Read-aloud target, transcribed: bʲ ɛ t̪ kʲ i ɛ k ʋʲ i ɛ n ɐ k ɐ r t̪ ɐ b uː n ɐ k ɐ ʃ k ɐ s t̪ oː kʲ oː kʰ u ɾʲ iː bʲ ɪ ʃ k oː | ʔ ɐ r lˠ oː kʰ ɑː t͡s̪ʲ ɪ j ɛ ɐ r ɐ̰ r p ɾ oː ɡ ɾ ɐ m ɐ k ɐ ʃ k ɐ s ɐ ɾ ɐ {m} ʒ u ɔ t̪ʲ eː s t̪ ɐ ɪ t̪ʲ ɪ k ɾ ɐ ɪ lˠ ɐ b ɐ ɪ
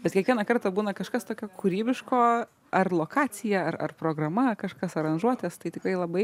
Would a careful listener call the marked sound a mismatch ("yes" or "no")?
yes